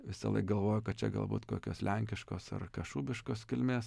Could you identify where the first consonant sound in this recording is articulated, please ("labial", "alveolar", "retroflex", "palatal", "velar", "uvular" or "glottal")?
labial